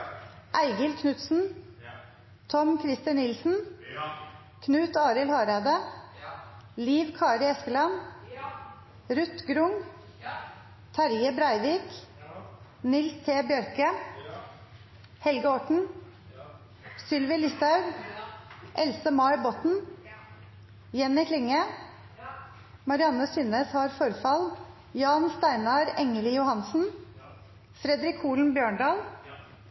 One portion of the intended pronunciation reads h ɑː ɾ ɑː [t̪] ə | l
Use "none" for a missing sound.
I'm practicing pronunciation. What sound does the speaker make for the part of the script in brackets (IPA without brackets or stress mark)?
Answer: d̪